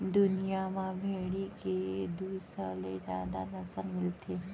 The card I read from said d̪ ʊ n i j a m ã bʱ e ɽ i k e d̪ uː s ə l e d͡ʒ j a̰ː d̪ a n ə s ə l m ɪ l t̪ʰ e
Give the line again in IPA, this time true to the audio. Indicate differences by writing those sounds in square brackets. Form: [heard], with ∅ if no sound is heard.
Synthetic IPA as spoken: d̪ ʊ n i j a m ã bʱ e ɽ i k e d̪ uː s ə l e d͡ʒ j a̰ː d̪ a n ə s ə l m ɪ l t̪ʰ e

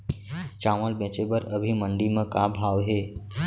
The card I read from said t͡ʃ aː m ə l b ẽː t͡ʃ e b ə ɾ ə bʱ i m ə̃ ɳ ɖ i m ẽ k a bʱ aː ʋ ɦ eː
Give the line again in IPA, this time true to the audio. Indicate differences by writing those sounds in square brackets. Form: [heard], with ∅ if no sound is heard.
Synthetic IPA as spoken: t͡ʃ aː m ə l b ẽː t͡ʃ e b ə ɾ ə bʱ i m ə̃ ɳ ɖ i m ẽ k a bʱ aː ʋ ɦ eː

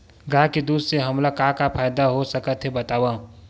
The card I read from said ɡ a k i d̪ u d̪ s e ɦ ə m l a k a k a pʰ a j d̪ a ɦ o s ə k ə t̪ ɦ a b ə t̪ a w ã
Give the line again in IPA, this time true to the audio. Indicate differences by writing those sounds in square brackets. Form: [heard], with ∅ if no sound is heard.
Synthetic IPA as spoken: ɡ a k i d̪ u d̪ s e ɦ ə m l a k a k a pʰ a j d̪ a ɦ o s ə k ə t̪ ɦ [e] b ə t̪ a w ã

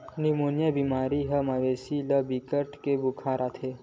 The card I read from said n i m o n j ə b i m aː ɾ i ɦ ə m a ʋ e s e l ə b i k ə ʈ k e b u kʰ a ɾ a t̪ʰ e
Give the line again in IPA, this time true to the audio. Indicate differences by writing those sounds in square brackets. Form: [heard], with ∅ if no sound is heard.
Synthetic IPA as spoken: n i m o n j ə b i m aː ɾ i ɦ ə m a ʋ e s [i] l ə b i k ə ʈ k e b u kʰ a ɾ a t̪ʰ e

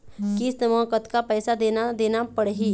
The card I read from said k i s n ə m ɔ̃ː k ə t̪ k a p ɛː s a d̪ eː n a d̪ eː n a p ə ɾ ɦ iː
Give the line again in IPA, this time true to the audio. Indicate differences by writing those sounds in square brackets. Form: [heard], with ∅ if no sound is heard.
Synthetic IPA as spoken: k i s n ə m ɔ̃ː k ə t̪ k a p ɛː s a d̪ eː n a d̪ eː n a p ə [ɽ] ɦ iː

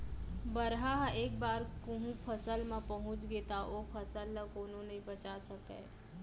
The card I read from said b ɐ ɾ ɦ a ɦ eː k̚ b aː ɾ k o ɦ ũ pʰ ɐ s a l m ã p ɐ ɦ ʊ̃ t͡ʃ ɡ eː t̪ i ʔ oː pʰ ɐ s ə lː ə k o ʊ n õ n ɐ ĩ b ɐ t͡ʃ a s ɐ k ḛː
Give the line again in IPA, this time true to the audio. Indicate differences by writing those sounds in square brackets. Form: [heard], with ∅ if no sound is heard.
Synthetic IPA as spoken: b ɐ ɾ ɦ a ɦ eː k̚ b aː ɾ k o ɦ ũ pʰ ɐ s [ə] l m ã p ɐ ɦ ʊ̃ t͡ʃ ɡ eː t̪ [a] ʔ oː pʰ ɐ s ə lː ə k o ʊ n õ n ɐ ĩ b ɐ t͡ʃ a s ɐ k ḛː

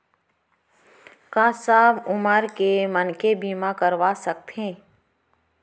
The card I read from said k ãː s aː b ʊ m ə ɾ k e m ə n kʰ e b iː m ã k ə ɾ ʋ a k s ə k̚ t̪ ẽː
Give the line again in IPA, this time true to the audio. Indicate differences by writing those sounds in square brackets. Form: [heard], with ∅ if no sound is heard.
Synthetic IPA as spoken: k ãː s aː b ʊ m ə ɾ k e m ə n [k] e b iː m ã k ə ɾ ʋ a [∅] s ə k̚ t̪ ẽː

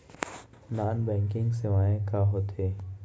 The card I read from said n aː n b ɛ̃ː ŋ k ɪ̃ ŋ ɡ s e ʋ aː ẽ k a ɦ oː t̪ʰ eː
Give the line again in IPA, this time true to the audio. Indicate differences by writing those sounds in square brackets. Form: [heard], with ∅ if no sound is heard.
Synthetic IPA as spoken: n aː n b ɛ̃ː ŋ k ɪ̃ ŋ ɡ s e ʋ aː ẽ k a ɦ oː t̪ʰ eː

